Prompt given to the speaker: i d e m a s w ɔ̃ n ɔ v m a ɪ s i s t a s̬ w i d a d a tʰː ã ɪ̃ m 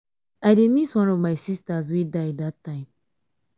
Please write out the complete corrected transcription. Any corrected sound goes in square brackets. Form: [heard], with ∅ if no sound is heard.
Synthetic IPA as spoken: [a] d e m [i] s w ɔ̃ n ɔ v m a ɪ s i s t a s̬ w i d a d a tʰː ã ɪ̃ m